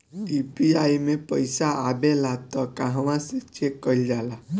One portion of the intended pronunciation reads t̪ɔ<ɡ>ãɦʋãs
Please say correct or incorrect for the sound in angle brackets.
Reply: incorrect